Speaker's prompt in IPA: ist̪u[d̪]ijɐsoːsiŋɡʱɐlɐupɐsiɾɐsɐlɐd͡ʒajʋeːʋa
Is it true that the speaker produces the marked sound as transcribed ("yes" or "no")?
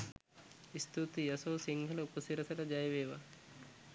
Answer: no